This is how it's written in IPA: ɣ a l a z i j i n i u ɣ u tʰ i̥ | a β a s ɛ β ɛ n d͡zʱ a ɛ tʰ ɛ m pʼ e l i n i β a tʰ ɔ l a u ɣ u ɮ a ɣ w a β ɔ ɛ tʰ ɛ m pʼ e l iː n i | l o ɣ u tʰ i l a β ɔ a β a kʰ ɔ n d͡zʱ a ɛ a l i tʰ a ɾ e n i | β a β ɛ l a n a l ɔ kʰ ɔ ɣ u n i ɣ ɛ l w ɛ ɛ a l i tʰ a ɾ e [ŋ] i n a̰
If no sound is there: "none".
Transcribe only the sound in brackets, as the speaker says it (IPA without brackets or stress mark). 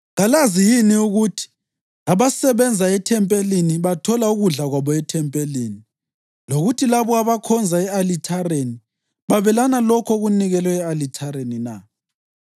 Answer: n